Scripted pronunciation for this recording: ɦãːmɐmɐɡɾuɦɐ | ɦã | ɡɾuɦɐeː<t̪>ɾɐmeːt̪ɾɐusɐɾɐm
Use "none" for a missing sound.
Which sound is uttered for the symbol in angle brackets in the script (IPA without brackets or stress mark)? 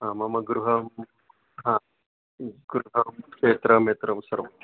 t̪